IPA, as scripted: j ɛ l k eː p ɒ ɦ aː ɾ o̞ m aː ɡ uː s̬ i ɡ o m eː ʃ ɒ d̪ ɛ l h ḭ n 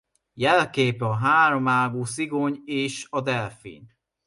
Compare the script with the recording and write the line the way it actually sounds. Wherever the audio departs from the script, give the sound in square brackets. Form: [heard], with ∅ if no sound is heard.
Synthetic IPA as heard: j ɛ l k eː p ɒ ɦ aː ɾ o̞ m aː ɡ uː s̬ i ɡ o [ɲ] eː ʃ ɒ d̪ ɛ l [f] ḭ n